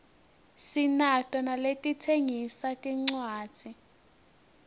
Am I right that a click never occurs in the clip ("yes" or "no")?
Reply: no